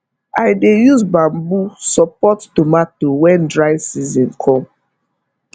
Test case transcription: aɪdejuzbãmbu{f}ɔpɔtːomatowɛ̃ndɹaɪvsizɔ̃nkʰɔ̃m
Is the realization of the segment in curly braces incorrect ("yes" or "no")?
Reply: yes